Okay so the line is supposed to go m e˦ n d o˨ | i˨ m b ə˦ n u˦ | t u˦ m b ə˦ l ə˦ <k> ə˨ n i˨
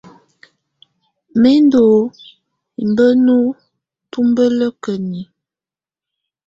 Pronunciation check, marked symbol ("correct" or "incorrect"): correct